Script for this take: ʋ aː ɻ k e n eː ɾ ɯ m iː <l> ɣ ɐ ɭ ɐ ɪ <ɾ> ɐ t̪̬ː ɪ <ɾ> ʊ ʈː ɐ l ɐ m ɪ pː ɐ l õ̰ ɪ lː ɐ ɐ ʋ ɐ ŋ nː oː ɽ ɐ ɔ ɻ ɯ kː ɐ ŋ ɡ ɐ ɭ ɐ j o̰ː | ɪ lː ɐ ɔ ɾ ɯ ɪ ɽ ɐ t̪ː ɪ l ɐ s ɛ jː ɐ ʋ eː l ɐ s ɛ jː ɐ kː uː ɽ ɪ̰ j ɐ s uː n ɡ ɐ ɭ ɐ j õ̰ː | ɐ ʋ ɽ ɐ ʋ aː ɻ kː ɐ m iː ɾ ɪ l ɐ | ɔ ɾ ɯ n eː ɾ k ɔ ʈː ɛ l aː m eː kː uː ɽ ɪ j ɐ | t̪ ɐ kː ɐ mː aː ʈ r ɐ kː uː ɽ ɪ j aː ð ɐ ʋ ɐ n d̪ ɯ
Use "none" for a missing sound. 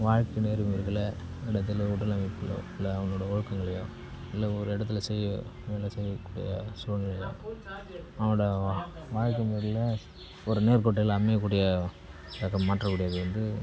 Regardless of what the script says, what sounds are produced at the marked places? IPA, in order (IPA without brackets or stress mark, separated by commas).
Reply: ɾ, ɽ, l